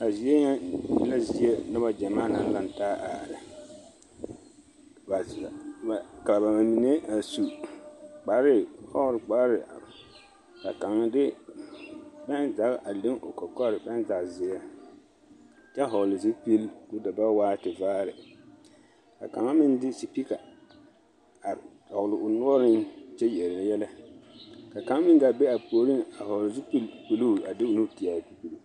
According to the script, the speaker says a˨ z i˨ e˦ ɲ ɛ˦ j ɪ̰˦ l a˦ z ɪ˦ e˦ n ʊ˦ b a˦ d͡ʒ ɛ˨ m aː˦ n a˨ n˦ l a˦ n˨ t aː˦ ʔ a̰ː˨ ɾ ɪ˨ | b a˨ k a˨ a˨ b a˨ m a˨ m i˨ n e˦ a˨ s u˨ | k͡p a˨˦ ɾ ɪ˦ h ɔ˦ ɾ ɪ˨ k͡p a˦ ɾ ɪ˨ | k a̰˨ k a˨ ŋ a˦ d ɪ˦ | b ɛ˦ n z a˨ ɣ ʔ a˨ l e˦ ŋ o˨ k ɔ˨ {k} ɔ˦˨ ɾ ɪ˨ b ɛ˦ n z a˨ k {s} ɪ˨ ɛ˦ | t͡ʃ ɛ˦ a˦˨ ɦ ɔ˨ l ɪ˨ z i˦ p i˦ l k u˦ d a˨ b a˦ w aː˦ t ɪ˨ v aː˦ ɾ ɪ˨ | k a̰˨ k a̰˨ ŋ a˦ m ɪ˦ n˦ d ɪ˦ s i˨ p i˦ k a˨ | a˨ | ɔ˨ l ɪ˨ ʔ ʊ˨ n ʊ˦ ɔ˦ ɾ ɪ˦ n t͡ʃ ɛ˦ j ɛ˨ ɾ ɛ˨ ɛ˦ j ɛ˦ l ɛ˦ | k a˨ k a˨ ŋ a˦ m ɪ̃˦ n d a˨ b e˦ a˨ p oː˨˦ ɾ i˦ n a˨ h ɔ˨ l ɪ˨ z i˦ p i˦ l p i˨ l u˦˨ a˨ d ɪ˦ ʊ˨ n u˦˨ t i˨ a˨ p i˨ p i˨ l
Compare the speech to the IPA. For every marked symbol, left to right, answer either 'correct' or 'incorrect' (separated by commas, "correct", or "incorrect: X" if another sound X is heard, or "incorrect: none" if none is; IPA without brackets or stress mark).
correct, incorrect: z